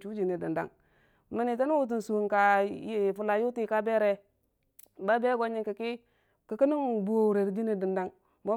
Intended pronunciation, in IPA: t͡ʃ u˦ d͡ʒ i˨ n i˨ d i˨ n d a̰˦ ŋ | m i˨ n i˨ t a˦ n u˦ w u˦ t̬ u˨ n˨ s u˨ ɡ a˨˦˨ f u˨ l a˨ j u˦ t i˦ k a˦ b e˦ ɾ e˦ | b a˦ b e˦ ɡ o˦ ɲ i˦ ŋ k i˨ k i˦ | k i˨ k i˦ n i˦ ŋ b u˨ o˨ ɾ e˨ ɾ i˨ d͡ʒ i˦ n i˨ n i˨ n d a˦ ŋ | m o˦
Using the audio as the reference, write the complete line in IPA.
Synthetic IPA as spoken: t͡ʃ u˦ d͡ʒ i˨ n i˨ d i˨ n d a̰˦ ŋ | m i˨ n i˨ t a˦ n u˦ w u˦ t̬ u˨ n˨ s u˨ k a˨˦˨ f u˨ l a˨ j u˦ t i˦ k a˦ b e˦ ɾ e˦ | b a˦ b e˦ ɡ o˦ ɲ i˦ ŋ k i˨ k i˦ | k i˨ k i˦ n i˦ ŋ b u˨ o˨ ɾ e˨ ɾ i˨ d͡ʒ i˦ n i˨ d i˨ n d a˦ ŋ | m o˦